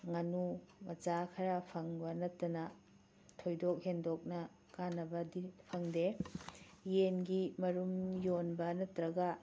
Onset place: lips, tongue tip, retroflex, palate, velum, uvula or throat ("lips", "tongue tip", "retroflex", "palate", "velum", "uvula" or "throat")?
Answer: velum